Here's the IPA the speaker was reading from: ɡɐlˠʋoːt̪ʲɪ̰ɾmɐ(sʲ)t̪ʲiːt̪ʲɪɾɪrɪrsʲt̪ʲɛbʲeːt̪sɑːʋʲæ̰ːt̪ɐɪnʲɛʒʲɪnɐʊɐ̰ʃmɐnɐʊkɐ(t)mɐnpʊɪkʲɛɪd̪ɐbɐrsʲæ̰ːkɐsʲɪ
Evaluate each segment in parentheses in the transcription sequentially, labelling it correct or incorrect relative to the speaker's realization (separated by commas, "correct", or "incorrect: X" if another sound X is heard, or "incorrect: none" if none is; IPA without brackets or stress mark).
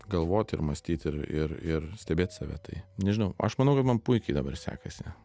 correct, correct